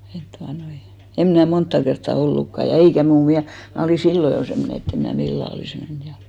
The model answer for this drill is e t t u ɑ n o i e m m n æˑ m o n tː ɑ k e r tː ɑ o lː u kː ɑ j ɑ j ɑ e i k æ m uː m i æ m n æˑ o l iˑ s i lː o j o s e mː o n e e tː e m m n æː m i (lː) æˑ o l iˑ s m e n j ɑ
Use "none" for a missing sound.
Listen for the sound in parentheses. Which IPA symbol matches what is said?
lː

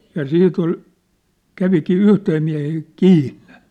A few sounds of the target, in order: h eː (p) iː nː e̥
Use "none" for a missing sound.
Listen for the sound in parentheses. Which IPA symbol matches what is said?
k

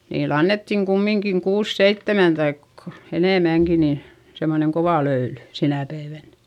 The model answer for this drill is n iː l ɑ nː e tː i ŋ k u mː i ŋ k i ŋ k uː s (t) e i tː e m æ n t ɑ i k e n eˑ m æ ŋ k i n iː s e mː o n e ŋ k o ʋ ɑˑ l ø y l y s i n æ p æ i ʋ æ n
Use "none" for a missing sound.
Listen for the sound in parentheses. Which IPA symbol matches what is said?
s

